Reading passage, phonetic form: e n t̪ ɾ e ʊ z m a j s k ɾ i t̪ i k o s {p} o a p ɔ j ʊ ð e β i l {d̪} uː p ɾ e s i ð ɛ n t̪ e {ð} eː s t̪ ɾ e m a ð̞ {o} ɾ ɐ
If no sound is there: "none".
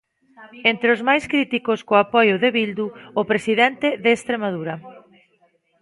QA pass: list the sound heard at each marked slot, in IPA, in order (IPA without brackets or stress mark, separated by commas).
k, d̪, ð, u